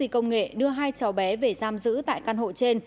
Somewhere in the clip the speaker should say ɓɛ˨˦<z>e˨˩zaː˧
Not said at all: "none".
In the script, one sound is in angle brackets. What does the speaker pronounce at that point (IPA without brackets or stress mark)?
v